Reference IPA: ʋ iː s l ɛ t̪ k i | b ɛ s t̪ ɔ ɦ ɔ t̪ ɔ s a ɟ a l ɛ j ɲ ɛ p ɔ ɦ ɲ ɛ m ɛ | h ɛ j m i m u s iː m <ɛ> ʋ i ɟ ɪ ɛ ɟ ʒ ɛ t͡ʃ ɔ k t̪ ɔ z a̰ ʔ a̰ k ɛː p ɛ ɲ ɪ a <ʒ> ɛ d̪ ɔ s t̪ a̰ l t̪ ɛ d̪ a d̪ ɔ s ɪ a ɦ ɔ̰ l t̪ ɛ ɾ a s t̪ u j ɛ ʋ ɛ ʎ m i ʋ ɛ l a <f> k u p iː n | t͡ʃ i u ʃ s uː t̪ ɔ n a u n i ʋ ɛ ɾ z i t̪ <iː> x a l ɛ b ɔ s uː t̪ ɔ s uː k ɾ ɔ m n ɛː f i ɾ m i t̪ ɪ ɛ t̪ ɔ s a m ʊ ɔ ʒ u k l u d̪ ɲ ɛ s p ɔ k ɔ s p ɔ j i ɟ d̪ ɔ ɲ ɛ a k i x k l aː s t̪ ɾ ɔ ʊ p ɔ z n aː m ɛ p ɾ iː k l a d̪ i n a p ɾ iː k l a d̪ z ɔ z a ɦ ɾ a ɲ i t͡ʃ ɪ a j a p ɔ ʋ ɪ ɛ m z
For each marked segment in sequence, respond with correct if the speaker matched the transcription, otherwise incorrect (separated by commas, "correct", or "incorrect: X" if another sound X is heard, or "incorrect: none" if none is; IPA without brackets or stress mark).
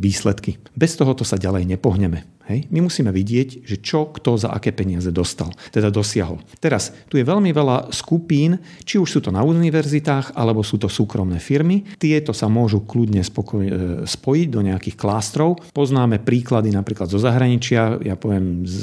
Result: correct, incorrect: z, incorrect: s, incorrect: aː